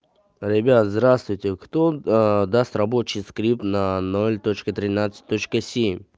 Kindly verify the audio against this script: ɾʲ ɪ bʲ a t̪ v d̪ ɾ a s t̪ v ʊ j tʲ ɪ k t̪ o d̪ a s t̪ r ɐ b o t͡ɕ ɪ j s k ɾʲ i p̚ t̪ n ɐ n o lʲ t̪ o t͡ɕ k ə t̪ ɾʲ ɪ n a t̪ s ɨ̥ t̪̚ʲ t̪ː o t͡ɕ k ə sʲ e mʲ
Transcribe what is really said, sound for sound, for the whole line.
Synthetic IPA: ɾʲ ɪ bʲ a t̪ z d̪ ɾ a s t̪ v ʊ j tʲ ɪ k t̪ o d̪ a s t̪ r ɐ b o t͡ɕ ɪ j s k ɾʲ i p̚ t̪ n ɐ n o lʲ t̪ o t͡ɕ k ə t̪ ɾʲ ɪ n a t̪ s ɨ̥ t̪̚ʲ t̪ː o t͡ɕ k ə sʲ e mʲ